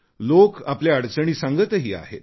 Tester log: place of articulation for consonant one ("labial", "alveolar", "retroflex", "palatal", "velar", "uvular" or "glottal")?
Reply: alveolar